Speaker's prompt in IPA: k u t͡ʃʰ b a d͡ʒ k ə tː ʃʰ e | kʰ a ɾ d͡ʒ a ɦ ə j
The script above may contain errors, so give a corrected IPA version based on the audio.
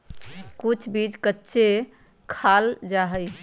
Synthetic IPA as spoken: k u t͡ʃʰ b i d͡ʒ k ə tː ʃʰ e | kʰ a l d͡ʒ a ɦ ə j

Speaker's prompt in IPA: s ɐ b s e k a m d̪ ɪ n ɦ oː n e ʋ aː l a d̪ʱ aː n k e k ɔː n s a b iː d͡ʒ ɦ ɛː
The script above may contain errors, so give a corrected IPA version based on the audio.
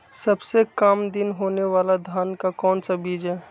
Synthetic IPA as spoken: s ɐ b s e k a m d̪ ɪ n ɦ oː n e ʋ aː l a d̪ʱ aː n k a k ɔː n s a b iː d͡ʒ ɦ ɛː

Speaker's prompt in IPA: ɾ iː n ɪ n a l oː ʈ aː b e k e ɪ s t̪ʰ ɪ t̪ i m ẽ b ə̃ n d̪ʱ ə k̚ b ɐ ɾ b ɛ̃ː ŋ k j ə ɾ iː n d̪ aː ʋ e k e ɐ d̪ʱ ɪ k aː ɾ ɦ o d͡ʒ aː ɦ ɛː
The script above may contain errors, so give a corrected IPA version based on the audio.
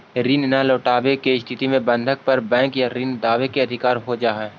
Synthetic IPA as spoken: ɾ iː n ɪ n a l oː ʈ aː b e k e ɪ s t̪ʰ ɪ t̪ i m ẽ b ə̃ n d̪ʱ ə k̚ p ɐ ɾ b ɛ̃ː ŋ k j a ɾ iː n d̪ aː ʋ e k e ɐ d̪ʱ ɪ k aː ɾ ɦ o d͡ʒ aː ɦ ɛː

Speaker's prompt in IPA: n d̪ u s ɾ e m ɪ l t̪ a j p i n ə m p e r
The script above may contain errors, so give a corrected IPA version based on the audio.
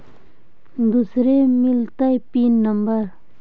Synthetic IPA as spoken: n d̪ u s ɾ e m i l t̪ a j p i n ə m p a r

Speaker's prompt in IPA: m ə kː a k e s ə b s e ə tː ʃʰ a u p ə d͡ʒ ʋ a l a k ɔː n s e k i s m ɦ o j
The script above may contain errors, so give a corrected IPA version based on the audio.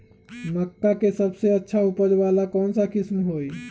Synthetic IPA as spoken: m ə kː a k e s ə b s e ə tː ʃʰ a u p ə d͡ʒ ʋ a l a k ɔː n s a k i s m ɦ o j

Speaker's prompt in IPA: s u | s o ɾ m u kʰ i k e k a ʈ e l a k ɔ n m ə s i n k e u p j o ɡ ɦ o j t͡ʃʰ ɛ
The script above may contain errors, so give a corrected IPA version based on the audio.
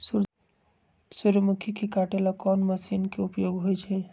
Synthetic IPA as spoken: s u | s u ɾ m u kʰ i k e k a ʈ e l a k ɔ n m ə s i n k e u p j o ɡ ɦ o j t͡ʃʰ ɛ

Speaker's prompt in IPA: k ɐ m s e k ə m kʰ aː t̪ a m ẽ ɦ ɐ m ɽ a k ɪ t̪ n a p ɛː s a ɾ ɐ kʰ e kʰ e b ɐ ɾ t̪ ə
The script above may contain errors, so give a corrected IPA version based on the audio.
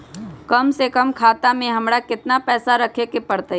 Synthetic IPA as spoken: k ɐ m s e k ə m kʰ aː t̪ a m ẽ ɦ ɐ m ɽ a k ɪ t̪ n a p ɛː s a ɾ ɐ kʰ e k e p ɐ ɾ t̪ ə

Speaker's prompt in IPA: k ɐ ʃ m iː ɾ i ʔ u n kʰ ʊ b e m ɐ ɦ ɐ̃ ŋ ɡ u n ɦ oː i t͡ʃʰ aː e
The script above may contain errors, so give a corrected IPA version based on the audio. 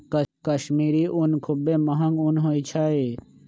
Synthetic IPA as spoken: k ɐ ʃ m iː ɾ i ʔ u n kʰ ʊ b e m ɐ ɦ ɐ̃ ŋ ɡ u n ɦ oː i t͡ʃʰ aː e

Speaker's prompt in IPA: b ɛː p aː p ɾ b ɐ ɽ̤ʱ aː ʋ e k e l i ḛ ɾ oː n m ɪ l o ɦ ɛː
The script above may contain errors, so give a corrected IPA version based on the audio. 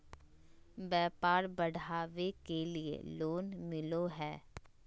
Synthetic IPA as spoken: b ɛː p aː ɾ b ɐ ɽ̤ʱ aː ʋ e k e l i ḛ l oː n m ɪ l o ɦ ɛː

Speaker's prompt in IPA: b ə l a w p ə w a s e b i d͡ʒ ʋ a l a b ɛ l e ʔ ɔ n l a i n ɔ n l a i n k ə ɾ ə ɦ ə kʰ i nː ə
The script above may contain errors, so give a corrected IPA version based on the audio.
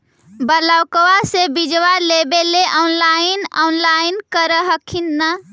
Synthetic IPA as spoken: b ə l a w k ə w a s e b i d͡ʒ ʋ a l e b e l e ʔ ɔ n l a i n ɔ n l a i n k ə ɾ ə ɦ ə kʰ i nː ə

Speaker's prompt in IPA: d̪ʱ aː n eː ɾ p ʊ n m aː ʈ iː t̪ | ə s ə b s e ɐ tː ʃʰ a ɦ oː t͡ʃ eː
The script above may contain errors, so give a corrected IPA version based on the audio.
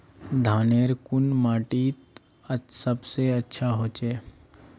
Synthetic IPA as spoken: d̪ʱ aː n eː ɾ k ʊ n m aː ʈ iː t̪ | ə s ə b s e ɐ tː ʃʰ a ɦ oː t͡ʃ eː

